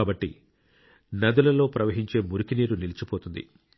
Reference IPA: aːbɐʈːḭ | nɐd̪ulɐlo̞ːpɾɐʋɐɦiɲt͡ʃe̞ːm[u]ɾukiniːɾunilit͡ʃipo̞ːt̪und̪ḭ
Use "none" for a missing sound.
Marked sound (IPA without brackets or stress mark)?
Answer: u